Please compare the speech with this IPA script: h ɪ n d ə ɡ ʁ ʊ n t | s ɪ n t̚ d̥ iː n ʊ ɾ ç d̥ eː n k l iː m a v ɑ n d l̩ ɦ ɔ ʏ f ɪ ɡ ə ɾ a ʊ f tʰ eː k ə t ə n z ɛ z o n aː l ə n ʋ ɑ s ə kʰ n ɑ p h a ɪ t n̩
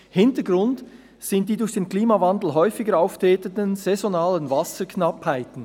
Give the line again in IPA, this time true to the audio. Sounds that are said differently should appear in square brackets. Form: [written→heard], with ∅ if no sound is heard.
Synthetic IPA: h ɪ n [d→t] ə ɡ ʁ ʊ n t | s ɪ n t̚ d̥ iː [n→d] ʊ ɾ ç d̥ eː n k l iː m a v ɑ n d l̩ ɦ ɔ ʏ f ɪ ɡ ə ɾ a ʊ f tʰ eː [k→t] ə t ə n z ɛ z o n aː l ə n [ʋ→v] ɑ s ə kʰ n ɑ p h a ɪ t n̩